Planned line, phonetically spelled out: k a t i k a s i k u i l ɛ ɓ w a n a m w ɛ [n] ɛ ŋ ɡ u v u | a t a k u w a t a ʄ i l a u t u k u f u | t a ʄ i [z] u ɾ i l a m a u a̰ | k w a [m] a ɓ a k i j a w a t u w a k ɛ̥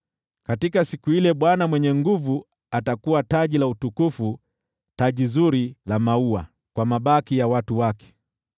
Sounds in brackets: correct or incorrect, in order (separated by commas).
incorrect, correct, correct